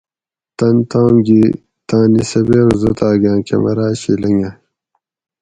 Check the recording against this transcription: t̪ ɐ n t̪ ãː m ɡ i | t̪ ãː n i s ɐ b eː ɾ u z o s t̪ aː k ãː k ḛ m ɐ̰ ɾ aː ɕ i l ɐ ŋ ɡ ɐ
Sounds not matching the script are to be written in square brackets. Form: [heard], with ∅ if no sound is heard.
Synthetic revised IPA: t̪ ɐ n t̪ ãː m ɡ i | t̪ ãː n i s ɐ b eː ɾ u z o [∅] t̪ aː [ɡ] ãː k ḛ m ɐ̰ ɾ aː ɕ i l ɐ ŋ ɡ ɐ